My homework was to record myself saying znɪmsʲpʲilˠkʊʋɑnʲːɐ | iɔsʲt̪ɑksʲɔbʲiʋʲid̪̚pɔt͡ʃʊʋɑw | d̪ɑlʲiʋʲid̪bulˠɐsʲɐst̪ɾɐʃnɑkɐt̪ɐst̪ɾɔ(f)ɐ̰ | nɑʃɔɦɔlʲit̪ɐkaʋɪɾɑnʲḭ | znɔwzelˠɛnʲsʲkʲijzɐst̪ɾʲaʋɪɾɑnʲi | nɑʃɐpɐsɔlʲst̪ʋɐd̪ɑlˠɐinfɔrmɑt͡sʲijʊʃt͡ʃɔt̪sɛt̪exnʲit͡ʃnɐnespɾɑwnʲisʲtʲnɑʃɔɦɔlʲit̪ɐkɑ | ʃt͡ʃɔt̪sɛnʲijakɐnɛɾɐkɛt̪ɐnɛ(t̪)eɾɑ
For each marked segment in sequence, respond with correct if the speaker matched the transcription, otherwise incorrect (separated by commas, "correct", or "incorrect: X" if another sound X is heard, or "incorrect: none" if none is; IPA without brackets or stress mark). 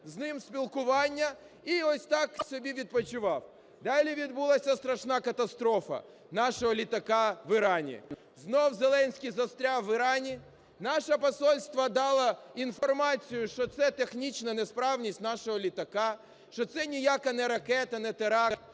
correct, correct